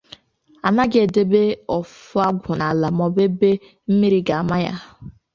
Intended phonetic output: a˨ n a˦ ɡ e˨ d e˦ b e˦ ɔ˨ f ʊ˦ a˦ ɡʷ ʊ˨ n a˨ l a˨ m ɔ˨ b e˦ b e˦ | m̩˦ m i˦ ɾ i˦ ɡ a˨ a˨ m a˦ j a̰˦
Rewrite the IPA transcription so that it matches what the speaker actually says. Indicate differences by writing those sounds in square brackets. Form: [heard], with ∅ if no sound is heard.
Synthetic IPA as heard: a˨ n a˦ ɡ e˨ d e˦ b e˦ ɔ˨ f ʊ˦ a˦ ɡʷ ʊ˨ n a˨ l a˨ m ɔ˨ b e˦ b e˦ | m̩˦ m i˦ ɾ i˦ ɡ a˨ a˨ m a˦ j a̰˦